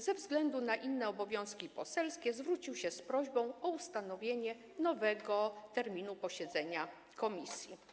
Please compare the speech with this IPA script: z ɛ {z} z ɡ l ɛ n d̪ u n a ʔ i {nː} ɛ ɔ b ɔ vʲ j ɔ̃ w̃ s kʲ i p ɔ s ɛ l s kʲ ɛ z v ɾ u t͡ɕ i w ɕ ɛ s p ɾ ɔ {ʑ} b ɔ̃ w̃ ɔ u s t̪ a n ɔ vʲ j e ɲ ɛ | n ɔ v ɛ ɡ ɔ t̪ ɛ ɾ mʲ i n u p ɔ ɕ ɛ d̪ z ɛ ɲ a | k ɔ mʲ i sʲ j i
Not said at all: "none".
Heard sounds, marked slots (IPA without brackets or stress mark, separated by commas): v, nː, ʑ